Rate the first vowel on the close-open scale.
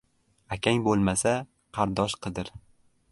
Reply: open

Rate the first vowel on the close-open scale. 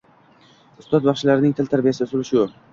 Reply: close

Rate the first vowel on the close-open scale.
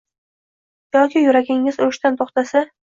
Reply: open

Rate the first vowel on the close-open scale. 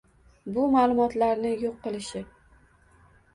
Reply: close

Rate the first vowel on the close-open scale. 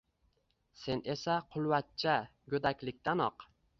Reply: mid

